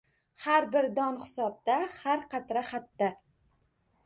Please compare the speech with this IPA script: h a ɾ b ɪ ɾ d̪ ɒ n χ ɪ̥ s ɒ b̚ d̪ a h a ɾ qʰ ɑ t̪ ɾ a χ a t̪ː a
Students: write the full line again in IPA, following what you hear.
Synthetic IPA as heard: h a ɾ b ɪ ɾ d̪ ɒ n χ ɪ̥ s ɒ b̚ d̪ a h a ɾ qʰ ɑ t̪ ɾ a χ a t̪ː a